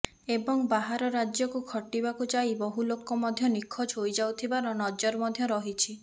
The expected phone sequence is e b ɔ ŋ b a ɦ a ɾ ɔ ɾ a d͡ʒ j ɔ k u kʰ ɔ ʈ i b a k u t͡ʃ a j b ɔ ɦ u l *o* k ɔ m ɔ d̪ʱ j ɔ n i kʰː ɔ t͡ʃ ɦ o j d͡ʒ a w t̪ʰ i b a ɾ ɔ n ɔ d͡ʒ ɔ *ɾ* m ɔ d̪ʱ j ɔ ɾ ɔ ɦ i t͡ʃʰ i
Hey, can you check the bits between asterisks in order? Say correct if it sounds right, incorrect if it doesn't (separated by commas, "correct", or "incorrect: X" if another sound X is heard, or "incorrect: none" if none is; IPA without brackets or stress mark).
correct, correct